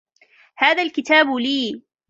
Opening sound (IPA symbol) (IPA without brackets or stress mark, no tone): h